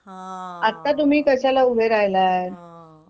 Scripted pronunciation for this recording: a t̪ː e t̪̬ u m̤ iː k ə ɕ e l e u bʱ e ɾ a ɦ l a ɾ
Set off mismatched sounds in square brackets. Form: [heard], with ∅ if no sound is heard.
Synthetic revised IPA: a t̪ː [a] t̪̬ u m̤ iː k ə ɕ [a] l [a] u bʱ e ɾ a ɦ l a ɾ